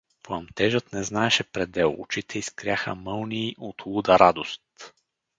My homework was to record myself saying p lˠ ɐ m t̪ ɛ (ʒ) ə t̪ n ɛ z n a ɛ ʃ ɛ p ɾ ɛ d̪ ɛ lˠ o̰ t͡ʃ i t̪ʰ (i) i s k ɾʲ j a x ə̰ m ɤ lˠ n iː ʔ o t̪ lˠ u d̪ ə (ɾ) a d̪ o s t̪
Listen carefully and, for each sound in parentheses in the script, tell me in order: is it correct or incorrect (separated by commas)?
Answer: correct, incorrect, correct